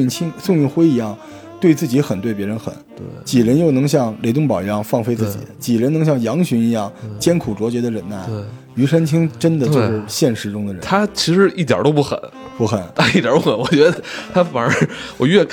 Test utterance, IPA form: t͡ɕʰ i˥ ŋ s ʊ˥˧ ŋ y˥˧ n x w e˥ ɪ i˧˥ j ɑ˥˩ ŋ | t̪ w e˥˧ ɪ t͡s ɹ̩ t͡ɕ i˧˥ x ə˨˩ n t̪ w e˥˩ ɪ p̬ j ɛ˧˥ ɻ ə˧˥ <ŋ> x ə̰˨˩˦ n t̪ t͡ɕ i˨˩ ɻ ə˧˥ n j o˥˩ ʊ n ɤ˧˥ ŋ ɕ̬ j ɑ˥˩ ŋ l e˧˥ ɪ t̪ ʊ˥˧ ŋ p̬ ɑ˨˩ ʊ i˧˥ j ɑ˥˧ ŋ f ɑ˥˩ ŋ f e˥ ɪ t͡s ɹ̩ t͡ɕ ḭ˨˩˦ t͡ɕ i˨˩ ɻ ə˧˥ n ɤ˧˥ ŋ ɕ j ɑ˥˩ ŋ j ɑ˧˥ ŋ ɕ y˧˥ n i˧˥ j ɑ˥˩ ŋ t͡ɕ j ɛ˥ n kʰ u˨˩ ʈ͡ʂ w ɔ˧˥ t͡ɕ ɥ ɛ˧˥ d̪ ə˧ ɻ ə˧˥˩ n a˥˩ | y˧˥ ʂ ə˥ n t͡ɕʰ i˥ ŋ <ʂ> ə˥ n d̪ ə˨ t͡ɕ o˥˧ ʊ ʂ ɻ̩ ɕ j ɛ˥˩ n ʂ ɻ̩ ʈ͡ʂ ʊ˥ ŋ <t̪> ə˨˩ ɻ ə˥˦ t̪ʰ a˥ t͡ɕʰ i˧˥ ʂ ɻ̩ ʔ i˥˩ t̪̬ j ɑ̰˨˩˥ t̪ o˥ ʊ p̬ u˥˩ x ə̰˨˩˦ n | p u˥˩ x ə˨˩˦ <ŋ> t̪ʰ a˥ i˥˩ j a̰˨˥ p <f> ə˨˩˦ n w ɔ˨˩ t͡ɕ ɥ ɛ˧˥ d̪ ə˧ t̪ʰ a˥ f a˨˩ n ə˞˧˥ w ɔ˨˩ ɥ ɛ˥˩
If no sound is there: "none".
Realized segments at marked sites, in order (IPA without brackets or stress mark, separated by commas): n, ʈ͡ʂ, d̪, n, x